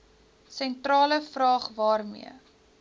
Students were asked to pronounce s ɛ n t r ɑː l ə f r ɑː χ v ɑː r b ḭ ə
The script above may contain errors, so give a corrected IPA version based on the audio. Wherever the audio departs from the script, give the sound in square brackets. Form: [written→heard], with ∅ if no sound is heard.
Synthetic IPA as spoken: s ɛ n t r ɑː l ə f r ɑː χ v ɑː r [b→m] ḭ ə